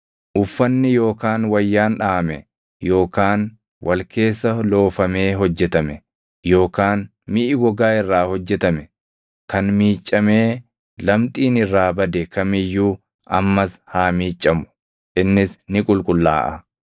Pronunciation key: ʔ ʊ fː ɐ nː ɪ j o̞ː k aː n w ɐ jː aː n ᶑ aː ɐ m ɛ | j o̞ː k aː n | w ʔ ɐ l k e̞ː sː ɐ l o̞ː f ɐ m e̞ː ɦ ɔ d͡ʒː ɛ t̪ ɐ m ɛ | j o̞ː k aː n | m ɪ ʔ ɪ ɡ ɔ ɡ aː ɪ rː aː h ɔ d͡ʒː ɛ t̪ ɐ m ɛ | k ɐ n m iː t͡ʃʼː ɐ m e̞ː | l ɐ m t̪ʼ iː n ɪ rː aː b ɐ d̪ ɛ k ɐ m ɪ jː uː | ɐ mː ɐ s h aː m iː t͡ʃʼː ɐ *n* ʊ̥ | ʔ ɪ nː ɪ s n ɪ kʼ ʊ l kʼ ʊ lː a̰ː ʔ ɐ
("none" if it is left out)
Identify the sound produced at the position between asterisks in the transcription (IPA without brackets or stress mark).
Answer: m